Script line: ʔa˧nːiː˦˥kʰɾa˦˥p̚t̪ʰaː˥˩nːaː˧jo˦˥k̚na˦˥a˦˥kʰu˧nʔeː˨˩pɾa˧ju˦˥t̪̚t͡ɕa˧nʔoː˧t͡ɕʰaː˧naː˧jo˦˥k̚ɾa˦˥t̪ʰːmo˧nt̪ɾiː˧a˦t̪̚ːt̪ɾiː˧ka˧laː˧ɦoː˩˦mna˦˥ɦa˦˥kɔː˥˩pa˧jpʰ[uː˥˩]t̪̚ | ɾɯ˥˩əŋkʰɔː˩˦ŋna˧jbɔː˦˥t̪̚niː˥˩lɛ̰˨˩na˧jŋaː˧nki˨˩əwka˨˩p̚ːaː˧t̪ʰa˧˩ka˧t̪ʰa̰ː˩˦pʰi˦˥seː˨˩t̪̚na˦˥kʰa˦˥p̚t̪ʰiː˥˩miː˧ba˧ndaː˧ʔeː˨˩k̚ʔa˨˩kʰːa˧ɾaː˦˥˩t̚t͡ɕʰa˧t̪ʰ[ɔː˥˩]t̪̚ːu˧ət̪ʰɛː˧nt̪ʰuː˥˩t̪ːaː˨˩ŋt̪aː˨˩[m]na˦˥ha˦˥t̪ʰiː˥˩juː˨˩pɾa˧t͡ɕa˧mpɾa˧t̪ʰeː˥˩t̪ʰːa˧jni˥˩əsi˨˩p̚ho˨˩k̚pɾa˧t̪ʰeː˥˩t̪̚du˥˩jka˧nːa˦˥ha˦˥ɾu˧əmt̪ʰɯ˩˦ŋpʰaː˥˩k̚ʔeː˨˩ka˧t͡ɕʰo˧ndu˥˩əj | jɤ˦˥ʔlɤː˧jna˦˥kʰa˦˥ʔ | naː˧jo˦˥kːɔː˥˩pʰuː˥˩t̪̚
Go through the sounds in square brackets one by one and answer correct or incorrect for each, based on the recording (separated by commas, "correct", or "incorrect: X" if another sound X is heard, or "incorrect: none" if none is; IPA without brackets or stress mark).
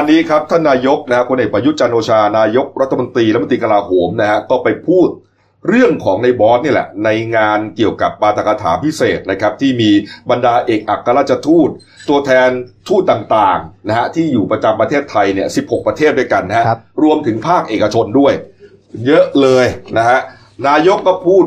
correct, incorrect: uː˥˩, incorrect: ŋ